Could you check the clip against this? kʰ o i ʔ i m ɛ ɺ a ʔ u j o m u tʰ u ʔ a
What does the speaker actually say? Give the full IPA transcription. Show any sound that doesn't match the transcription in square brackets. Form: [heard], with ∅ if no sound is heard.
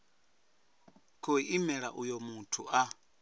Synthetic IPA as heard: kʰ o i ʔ i m ɛ ɺ a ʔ u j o m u tʰ u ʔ a